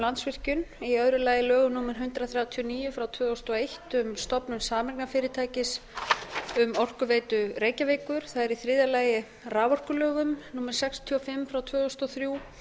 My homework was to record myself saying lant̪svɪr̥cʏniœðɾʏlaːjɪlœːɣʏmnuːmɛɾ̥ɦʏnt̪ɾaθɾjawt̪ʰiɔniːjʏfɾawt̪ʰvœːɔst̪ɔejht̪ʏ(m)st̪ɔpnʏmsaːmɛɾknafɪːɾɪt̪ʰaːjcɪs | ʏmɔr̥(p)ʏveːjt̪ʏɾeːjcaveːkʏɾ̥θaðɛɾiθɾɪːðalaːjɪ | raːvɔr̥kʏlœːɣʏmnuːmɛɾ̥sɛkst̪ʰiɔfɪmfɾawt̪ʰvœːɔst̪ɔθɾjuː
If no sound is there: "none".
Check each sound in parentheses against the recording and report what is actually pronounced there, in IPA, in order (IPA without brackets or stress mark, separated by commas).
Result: m, k